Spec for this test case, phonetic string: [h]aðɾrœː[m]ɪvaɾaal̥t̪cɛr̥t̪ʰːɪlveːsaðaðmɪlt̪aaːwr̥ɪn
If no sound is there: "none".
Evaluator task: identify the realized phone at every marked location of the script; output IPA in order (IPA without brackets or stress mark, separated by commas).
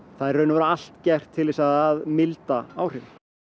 θ, n